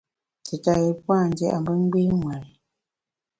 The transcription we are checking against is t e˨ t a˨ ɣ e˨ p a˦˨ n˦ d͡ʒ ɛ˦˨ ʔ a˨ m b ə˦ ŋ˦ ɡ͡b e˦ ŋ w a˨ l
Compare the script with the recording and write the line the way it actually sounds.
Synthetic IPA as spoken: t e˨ t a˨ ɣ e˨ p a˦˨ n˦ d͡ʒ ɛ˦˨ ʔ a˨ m b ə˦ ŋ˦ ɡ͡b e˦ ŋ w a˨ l